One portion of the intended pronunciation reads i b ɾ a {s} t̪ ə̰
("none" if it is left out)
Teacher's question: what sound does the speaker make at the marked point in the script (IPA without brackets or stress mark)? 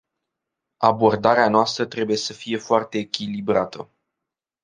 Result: none